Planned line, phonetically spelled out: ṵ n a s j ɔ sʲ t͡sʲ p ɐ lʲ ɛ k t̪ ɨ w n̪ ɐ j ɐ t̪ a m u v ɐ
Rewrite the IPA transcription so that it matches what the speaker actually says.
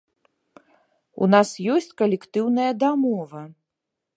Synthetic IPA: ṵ n a s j ɔ sʲ t͡sʲ k ɐ lʲ ɛ k t̪ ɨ w n̪ ɐ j ɐ d̪ a m ɔ v ɐ